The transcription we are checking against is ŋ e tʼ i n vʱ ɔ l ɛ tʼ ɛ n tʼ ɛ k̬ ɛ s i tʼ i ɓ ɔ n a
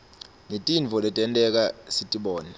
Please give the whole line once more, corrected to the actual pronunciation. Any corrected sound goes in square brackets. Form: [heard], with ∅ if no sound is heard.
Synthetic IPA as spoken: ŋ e tʼ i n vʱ ɔ l ɛ tʼ ɛ n tʼ ɛ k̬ [a] s i tʼ i ɓ [ɔː] n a